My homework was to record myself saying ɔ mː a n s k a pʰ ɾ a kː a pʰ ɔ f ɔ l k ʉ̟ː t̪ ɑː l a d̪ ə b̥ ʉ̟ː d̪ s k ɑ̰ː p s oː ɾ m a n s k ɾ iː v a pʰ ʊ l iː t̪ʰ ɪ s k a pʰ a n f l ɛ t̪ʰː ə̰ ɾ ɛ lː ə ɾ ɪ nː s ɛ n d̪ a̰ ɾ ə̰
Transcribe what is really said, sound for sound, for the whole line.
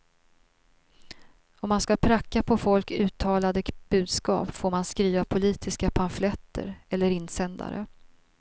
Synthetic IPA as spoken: ɔ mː a n s k a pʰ ɾ a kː a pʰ ɔ f ɔ l k ʉ̟ː t̪ʰ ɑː l a d̪ ə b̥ ʉ̟ː d̪ s k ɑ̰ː p f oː ɾ m a n s k ɾ iː v a pʰ ʊ l iː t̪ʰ ɪ s k a pʰ a n f l ɛ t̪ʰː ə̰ ɾ ɛ lː ə ɾ ɪ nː s ɛ n d̪ a̰ ɾ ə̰